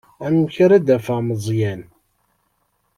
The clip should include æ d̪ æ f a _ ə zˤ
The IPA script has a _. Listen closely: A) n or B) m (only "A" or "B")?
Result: B